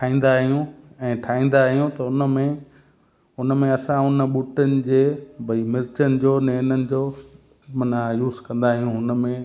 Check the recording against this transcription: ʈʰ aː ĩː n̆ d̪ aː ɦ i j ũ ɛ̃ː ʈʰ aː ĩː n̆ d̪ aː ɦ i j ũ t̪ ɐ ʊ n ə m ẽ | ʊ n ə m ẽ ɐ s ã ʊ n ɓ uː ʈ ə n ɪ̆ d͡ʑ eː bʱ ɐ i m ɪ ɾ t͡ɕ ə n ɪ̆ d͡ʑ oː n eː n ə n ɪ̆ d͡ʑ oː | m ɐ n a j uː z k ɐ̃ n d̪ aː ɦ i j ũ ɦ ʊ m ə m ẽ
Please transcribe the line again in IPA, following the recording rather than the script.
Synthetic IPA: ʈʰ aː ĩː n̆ d̪ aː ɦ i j ũ ɛ̃ː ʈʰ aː ĩː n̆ d̪ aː ɦ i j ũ t̪ ɐ ʊ n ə m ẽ | ʊ n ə m ẽ ɐ s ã ʊ n ɓ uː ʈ ə n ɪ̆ d͡ʑ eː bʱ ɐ i m ɪ ɾ t͡ɕ ə n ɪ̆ d͡ʑ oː n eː n ə n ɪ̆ d͡ʑ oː | m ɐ n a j uː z k ɐ̃ n d̪ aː ɦ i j ũ ɦ ʊ n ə m ẽ